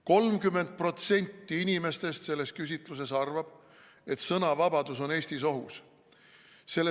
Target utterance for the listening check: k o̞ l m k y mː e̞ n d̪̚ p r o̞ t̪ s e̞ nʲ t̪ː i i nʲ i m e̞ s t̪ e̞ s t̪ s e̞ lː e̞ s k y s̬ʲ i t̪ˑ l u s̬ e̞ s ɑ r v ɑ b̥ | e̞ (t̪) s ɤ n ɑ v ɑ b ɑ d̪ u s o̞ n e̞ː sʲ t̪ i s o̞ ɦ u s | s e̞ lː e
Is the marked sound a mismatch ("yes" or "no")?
no